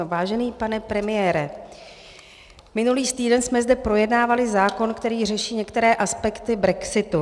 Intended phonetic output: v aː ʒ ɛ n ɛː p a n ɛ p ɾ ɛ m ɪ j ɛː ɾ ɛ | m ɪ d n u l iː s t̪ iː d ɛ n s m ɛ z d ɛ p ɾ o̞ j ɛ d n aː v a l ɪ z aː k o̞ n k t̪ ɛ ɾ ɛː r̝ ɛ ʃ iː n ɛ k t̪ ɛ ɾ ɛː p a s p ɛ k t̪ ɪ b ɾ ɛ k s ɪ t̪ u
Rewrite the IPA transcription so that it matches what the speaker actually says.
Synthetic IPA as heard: v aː ʒ ɛ n iː p a n ɛ p ɾ ɛ m ɪ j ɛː ɾ ɛ | m ɪ n u l iː s t̪ iː d ɛ n s m ɛ z d ɛ p ɾ o̞ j ɛ d n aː v a l ɪ z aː k o̞ n k t̪ ɛ ɾ iː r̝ ɛ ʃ iː ɲ ɛ k t̪ ɛ ɾ ɛː ʔ a s p ɛ k t̪ ɪ b ɾ ɛ k s ɪ t̪ u

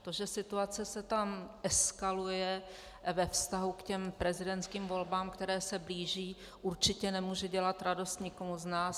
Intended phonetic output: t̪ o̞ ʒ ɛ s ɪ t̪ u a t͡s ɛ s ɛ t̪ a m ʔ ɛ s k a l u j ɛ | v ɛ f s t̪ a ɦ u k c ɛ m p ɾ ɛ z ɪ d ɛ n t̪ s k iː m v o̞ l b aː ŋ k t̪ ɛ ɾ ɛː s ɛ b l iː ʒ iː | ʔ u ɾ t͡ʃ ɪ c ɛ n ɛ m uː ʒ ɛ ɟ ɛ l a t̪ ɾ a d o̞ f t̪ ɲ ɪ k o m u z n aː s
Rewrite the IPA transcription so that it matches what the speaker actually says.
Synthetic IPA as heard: t̪ o̞ ʒ ɛ s ɪ t̪ u a t͡s ɛ s ɛ t̪ a m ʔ ɛ s k a l u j ɛ | v ɛ f s t̪ a ɦ u k c ɛ m p ɾ ɛ z ɪ d ɛ n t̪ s k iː m v o̞ l b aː m k t̪ ɛ ɾ ɛː s ɛ b l iː ʒ iː | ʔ u ɾ t͡ʃ ɪ c ɛ n ɛ m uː ʒ ɛ ɟ ɛ l a t̪ ɾ a d o̞ s t̪ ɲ ɪ k o m u z n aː s

